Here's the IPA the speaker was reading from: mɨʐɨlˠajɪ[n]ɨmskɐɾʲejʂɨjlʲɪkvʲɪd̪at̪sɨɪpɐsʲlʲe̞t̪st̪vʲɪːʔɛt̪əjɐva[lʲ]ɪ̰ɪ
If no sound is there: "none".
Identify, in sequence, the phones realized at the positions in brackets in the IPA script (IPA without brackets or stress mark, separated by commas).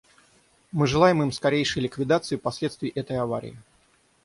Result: m, ɾʲ